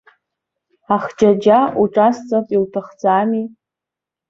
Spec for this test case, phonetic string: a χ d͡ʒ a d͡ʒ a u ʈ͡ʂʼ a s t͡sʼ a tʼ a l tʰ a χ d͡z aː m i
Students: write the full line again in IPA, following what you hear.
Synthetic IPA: a χ d͡ʒ a d͡ʒ a u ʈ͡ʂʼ a s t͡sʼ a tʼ i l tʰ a χ d͡z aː m i